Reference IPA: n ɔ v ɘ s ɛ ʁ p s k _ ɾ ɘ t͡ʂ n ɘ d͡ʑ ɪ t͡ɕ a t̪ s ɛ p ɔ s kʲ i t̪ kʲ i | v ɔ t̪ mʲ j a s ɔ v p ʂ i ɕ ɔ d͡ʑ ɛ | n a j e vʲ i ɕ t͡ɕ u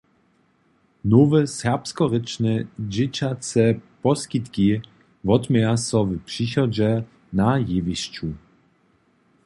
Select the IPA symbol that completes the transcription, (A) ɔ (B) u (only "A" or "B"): A